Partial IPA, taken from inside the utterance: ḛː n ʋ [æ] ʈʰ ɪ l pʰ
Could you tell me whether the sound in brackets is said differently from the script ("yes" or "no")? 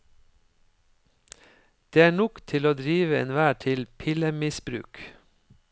yes